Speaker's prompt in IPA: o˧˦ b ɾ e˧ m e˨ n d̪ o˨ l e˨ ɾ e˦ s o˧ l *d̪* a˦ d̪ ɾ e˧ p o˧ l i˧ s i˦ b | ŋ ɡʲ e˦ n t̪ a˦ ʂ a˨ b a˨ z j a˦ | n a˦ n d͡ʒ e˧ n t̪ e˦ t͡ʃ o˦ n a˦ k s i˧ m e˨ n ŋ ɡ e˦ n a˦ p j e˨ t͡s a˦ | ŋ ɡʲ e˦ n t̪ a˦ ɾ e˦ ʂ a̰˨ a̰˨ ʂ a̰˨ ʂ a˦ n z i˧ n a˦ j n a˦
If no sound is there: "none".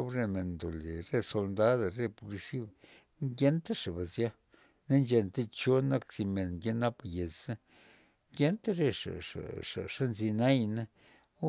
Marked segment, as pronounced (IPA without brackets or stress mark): d̪